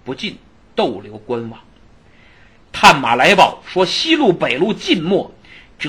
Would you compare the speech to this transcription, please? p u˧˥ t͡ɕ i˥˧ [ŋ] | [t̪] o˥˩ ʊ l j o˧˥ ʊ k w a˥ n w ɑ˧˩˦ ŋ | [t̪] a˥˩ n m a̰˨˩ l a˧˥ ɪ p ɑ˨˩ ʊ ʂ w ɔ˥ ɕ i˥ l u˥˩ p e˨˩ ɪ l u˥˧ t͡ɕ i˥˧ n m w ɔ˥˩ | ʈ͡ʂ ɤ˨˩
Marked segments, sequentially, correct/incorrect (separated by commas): incorrect, correct, incorrect